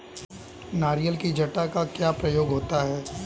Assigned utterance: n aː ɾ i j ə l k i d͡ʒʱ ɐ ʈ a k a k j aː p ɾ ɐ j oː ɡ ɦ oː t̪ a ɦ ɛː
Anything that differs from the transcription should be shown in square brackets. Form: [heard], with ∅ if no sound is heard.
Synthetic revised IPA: n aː ɾ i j ə l k i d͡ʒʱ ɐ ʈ a k a k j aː p ɾ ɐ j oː ɡ ɦ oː t̪ a ɦ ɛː